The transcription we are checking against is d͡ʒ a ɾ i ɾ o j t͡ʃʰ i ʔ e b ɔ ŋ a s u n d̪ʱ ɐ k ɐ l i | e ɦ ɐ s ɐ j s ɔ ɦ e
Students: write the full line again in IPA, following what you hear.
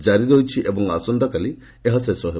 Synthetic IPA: d͡ʒ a ɾ i ɾ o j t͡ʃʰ i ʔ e b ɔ ŋ a s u n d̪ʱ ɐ k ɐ l i | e ɦ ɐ s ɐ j s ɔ ɦ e